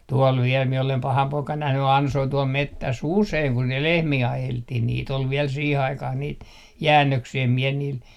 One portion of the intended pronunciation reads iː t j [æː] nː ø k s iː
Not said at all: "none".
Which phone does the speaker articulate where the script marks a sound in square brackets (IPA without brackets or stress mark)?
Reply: æː